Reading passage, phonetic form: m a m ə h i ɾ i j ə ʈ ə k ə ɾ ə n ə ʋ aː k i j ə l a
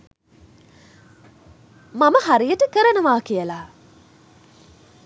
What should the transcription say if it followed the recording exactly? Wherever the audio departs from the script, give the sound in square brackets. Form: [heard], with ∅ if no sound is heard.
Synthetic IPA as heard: m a m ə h [a] ɾ i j ə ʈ ə k ə ɾ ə n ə ʋ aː k i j ə l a